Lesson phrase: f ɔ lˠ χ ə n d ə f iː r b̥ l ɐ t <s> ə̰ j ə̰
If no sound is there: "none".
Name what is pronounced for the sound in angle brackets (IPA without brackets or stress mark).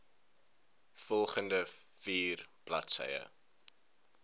s